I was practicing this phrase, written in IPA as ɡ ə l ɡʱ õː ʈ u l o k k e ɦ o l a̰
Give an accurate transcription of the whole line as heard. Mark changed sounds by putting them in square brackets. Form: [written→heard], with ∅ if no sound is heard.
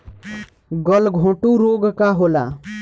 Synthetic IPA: ɡ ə l ɡʱ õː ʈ u [l→ɾ] o [k→ɡ] k [e→a] ɦ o l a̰